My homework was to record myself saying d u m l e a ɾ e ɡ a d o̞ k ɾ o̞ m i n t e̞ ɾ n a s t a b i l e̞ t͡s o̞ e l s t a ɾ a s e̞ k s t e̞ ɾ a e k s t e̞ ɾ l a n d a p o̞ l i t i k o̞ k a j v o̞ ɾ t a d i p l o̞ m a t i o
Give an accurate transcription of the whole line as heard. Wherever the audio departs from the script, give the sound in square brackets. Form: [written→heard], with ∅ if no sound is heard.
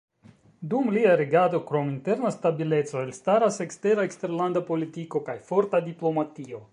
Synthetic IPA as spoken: d u m l [e→i] a ɾ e ɡ a d o̞ k ɾ o̞ m i n t e̞ ɾ n a s t a b i l e̞ t͡s o̞ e l s t a ɾ a s e̞ k s t e̞ ɾ a e k s t e̞ ɾ l a n d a p o̞ l i t i k o̞ k a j [v→f] o̞ ɾ t a d i p l o̞ m a t i o